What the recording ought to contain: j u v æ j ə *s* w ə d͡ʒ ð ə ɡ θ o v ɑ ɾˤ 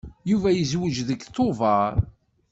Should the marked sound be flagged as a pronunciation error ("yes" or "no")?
yes